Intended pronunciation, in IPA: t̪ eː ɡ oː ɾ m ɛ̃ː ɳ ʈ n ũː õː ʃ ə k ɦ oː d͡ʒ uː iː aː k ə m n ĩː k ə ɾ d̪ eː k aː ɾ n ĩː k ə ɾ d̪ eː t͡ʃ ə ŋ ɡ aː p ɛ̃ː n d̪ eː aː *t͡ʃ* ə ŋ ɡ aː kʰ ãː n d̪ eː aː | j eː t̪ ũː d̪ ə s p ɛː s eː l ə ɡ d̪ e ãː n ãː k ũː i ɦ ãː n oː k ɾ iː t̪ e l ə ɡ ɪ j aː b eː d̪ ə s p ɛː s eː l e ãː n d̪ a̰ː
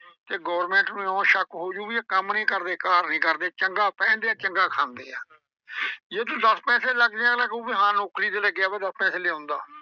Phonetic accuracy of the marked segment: correct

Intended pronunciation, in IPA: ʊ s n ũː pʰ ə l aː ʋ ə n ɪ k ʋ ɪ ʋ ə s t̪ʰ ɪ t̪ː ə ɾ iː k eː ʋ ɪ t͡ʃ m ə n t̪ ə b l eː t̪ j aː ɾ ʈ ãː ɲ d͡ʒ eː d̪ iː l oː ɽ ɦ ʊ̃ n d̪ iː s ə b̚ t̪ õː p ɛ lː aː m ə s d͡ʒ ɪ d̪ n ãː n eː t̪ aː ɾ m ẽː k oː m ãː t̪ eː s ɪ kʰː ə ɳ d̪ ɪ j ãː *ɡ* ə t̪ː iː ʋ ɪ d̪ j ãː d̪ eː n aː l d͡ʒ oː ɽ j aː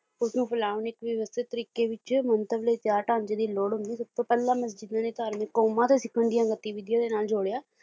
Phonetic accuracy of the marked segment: correct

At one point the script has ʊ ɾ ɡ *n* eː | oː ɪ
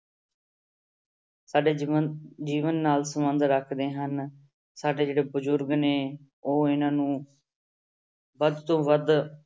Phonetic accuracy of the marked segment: correct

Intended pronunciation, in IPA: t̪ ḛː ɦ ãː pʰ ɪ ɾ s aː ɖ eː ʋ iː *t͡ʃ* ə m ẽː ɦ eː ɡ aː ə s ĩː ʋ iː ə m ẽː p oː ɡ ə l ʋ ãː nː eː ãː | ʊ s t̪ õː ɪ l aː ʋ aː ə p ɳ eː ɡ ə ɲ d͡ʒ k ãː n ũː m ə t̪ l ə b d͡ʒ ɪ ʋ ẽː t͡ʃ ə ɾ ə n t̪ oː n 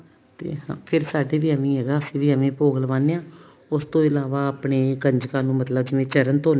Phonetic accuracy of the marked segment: incorrect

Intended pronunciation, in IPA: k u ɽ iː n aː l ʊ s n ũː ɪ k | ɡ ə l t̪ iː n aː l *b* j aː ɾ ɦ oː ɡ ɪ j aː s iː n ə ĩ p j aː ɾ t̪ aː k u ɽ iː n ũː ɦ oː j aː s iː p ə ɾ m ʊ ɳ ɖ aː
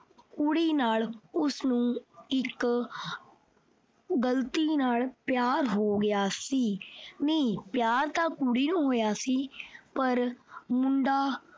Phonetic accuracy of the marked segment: incorrect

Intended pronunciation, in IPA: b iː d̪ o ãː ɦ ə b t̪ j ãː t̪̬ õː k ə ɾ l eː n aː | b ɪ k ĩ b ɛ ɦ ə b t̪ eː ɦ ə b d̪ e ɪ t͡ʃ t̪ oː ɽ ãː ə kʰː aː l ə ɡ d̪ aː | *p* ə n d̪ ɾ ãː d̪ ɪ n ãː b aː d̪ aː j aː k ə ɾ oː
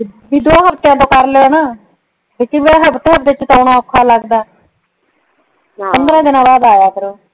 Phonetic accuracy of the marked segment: correct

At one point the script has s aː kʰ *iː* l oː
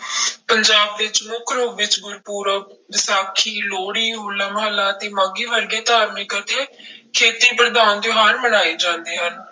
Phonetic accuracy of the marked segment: correct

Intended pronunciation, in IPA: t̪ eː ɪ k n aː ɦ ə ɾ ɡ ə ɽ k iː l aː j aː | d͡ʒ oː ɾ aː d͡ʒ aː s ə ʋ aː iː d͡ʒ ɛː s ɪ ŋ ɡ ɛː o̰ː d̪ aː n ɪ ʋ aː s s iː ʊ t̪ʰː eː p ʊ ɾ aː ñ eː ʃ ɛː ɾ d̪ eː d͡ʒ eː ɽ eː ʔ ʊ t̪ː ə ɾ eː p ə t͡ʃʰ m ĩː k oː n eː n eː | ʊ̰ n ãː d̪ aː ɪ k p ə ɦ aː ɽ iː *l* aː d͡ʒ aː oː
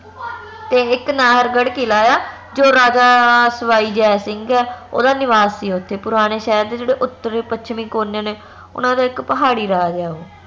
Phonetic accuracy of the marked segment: incorrect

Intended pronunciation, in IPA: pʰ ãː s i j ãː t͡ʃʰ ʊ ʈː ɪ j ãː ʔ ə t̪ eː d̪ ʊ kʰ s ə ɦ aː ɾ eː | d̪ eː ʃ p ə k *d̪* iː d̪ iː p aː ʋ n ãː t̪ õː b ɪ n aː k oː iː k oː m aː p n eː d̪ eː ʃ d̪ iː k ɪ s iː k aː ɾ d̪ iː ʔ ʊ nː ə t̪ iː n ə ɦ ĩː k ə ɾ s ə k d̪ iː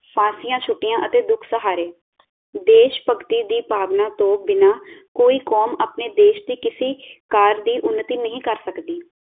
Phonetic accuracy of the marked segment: incorrect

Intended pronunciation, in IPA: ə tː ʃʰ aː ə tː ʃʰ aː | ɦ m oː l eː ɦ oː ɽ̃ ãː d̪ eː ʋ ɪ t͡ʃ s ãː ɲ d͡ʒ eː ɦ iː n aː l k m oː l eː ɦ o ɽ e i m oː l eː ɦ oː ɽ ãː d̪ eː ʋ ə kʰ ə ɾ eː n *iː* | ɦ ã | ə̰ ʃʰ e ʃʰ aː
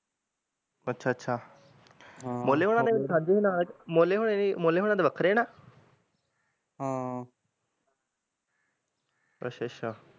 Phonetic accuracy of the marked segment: incorrect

